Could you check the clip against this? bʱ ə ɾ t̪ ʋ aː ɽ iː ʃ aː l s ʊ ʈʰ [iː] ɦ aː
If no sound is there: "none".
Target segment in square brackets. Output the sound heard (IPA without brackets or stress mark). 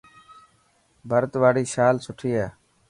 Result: iː